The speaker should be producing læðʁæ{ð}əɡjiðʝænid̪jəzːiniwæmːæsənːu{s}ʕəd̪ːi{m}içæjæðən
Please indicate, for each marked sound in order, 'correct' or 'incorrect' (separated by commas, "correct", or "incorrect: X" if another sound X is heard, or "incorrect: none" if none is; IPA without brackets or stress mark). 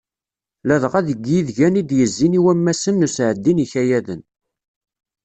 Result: correct, correct, incorrect: n